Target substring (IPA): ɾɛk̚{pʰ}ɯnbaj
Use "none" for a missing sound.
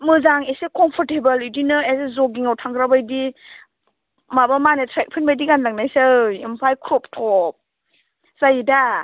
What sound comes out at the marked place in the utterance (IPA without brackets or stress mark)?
pʰ